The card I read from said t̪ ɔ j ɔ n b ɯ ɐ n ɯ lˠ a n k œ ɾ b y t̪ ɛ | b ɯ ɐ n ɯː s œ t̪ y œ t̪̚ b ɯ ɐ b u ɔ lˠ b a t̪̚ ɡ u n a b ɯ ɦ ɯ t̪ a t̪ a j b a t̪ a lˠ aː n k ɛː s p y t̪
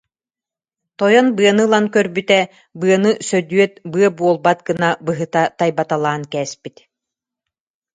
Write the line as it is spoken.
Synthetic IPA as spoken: t̪ ɔ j ɔ n b ɯ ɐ n ɯ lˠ a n k œ ɾ b y t̪ ɛ | b ɯ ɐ n ɯ s œ d̪ y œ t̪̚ b ɯ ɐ b u ɔ lˠ b a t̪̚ ɡ ɯ n a b ɯ ɦ ɯ t̪ a t̪ a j b a t̪ a lˠ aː n k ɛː s p i t̪